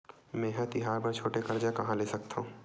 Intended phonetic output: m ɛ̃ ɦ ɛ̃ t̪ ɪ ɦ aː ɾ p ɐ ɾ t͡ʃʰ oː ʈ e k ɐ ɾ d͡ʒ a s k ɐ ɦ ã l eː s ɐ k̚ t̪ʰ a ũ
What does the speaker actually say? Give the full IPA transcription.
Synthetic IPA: m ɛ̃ ɦ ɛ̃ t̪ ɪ ɦ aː ɾ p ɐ ɾ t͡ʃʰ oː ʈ e k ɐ ɾ d͡ʒ a k ɐ ɦ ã l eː s ɐ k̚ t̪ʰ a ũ